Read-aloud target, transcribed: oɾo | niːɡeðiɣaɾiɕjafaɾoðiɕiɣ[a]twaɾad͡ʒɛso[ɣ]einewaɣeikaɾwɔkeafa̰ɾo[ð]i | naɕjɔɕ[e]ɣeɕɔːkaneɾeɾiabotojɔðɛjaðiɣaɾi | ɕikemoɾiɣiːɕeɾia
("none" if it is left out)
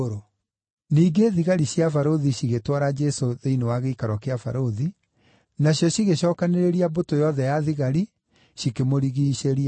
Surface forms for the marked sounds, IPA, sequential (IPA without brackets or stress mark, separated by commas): e, ð, ð, i